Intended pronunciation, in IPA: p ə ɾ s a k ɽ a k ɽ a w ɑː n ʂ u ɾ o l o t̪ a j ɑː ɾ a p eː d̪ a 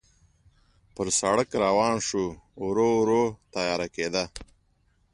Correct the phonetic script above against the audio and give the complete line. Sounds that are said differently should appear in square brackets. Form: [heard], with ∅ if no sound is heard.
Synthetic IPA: p ə ɾ s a [∅] ɽ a k [ɾ] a w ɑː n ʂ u ɾ o [ɾ] o t̪ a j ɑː ɾ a [k] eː d̪ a